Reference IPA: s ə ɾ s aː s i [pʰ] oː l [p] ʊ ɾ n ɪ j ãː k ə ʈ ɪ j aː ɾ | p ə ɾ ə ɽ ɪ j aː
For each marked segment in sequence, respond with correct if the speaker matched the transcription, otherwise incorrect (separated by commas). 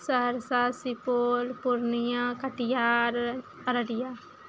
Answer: incorrect, correct